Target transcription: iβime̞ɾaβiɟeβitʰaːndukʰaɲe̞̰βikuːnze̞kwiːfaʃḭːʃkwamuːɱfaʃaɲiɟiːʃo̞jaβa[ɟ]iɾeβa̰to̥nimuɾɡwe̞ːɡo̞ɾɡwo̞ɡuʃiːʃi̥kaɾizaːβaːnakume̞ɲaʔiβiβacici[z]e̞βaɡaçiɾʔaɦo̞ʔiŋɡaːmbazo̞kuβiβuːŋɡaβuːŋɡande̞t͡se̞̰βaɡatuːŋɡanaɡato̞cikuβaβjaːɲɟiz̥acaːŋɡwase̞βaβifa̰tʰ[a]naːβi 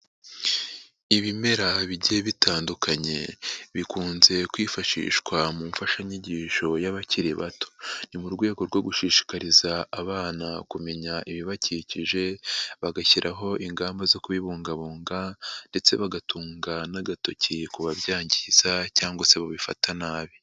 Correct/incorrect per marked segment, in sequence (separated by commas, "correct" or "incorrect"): incorrect, incorrect, correct